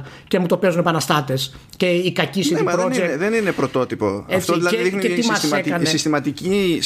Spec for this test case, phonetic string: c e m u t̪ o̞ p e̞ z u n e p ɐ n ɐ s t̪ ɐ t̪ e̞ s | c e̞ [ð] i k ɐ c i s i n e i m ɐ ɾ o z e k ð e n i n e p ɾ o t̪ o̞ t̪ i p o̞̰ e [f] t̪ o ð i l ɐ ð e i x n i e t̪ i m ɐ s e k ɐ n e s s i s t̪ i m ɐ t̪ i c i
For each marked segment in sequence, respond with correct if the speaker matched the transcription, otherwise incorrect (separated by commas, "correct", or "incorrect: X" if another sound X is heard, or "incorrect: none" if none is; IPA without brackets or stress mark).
incorrect: none, correct